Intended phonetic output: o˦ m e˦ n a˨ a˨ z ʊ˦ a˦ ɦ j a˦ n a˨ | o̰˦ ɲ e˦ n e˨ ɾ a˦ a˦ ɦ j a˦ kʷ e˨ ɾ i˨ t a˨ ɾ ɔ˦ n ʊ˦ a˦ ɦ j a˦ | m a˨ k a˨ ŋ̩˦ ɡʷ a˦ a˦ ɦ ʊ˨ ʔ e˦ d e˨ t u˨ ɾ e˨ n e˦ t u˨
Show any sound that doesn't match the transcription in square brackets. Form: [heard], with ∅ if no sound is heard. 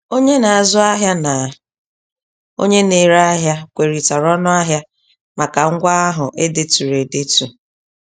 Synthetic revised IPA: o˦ [ɲ] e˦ n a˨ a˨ z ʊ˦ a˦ ɦ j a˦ n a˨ | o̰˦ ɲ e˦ n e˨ ɾ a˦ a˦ ɦ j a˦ kʷ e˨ ɾ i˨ t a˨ ɾ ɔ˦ n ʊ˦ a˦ ɦ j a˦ | m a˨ k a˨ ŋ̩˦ ɡʷ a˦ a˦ ɦ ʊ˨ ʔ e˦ d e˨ t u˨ ɾ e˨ [d] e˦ t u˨